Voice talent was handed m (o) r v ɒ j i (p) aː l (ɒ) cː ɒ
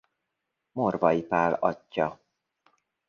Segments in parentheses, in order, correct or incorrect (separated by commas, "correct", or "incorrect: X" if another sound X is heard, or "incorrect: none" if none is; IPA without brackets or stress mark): correct, correct, correct